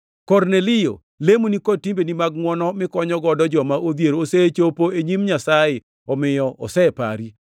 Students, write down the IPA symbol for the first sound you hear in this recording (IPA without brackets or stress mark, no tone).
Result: k